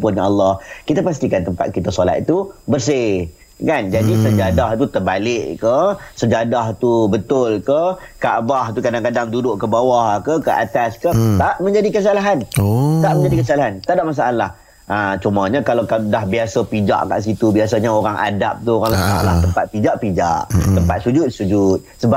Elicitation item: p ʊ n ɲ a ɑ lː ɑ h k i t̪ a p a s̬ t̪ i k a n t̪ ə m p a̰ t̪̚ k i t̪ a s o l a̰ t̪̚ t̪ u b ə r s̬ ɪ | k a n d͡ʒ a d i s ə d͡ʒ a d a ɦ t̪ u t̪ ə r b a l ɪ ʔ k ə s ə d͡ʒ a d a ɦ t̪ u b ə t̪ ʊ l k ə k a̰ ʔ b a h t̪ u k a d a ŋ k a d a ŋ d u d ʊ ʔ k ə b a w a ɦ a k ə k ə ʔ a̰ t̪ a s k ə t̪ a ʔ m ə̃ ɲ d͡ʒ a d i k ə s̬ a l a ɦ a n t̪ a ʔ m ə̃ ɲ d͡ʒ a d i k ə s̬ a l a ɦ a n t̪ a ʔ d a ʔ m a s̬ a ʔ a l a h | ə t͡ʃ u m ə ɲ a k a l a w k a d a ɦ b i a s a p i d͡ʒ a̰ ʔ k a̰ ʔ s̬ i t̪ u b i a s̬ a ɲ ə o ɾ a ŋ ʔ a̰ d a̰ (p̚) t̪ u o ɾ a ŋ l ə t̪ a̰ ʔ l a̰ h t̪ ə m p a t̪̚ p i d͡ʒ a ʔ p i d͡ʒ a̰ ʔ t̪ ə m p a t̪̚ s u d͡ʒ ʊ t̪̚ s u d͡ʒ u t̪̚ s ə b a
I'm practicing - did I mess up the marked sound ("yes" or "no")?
no